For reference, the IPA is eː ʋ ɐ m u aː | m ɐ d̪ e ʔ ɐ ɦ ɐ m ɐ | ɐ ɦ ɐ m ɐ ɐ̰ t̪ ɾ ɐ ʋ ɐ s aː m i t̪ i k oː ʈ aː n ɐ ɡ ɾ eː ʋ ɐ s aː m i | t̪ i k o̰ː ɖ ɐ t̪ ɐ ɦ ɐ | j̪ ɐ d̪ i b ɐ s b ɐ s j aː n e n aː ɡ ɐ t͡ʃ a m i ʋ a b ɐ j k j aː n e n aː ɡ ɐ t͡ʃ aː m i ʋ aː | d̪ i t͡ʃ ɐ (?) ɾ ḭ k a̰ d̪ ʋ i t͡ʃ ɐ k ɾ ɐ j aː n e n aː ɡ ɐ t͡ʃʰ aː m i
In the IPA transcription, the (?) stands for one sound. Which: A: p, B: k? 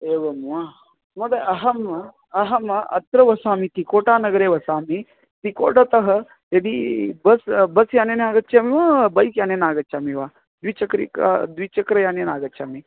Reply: B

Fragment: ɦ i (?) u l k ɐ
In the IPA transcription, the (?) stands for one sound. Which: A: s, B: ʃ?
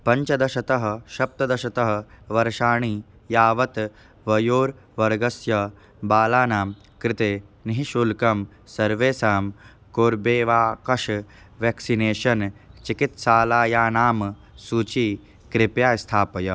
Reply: B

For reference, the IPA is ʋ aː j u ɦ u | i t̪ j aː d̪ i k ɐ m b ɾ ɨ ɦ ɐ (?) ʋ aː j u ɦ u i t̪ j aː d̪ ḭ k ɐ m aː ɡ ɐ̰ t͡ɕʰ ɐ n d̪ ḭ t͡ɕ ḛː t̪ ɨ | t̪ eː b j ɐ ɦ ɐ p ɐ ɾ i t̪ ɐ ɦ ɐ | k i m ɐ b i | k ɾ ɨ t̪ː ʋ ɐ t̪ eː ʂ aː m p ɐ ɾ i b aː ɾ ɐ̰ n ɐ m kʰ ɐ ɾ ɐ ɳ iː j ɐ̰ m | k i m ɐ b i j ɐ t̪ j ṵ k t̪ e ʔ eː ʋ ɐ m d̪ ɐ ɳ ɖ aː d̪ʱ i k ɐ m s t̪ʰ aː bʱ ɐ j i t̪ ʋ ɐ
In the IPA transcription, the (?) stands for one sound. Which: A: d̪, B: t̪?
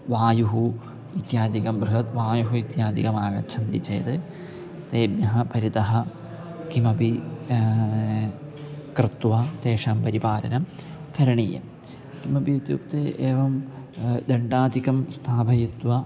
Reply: B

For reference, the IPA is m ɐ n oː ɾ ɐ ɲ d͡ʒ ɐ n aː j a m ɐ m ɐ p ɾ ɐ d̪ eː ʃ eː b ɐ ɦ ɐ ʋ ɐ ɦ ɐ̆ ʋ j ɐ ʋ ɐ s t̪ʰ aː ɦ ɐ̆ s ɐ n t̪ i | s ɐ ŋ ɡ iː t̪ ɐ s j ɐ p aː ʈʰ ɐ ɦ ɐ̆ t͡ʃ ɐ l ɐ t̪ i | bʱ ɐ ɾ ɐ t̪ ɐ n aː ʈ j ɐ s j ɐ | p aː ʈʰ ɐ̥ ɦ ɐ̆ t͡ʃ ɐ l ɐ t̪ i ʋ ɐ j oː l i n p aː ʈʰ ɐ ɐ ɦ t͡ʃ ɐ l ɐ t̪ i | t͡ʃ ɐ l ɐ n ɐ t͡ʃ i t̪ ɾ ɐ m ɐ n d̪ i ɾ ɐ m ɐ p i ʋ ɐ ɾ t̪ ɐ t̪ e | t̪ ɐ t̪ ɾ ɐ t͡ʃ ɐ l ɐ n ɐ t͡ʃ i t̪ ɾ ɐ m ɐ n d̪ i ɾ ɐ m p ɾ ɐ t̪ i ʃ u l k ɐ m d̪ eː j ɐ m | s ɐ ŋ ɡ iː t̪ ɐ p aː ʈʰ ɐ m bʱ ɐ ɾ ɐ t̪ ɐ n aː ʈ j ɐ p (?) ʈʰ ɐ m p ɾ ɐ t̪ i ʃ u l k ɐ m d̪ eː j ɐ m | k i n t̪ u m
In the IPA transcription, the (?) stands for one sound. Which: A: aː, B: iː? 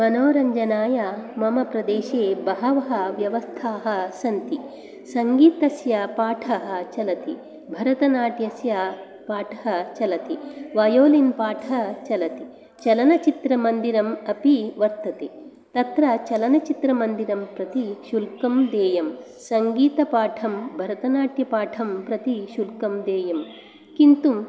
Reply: A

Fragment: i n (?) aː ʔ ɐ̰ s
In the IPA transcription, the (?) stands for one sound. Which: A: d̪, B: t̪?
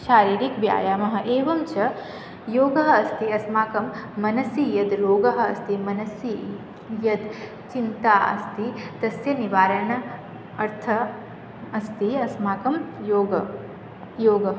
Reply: B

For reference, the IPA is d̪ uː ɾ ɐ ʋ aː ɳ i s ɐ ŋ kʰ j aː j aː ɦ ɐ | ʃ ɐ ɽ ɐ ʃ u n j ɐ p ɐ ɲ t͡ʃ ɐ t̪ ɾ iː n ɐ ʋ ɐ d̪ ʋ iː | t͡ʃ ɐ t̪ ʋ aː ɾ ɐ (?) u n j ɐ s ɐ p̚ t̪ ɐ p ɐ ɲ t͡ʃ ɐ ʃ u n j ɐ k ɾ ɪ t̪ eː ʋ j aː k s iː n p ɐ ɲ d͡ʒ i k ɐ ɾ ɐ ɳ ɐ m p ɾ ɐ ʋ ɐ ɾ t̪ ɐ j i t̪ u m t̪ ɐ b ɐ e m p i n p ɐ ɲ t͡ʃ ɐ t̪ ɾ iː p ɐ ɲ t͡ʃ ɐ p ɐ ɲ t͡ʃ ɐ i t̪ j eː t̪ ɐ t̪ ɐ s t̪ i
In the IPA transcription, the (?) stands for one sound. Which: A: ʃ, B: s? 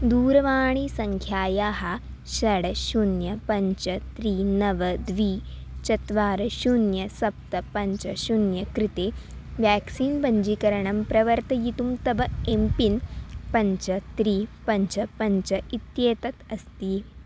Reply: A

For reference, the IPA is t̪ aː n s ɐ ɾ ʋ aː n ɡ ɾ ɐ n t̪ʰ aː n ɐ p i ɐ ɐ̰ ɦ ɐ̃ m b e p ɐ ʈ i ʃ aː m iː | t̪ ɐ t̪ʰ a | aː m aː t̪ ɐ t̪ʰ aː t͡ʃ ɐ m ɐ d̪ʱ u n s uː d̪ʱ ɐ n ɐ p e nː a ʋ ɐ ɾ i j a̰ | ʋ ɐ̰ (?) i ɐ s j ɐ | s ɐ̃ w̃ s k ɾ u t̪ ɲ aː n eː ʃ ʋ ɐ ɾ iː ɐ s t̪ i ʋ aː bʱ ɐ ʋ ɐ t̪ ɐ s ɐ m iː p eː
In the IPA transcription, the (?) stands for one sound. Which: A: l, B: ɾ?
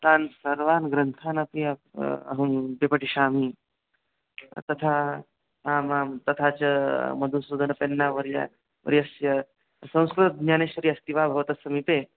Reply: B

